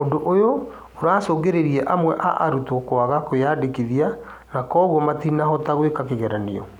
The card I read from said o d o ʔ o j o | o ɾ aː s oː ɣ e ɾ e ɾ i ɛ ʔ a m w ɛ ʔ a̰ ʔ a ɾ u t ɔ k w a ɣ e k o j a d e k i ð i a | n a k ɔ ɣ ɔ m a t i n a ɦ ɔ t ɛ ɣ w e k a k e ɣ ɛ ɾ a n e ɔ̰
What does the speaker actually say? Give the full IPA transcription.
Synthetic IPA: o d o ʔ o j o | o ɾ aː s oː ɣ e ɾ e ɾ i ɛ ʔ a m w ɛ ʔ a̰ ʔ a ɾ u t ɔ k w a ɣ a k o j a d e k i ð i a | n a k ɔ ɣ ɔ m a t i n a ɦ ɔ t a ɣ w e k a k e ɣ ɛ ɾ a n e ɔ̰